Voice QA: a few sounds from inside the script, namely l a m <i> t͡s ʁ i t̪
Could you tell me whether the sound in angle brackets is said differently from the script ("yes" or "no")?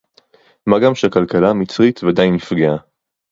no